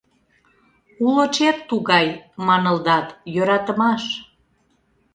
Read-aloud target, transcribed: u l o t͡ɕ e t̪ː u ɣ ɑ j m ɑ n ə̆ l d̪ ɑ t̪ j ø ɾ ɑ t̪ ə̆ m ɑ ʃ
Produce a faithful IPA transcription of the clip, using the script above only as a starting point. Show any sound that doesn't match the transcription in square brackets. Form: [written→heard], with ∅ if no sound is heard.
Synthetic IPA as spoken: u l o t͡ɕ e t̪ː u ɣ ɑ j m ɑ n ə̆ l d̪ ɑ t̪ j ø ɾ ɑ t̪ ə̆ m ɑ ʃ